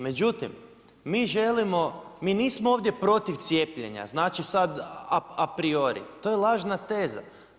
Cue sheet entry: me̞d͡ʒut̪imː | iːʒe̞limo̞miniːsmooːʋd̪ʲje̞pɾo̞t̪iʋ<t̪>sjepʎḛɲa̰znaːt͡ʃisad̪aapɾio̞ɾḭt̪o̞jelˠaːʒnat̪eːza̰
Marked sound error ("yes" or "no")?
no